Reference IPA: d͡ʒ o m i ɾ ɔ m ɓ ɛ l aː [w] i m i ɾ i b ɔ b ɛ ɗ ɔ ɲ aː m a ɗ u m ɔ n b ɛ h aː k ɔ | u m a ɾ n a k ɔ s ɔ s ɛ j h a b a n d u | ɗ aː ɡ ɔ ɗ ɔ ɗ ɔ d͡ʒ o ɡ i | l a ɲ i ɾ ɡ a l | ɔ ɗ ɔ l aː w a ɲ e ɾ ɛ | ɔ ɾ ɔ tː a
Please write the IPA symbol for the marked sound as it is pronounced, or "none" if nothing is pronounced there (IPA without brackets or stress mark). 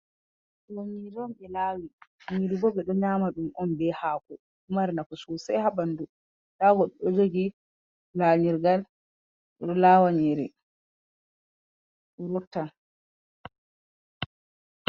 w